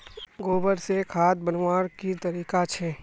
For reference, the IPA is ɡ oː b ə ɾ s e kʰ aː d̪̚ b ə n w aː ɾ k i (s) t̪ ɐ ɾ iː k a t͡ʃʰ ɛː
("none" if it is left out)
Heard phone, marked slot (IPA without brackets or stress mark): none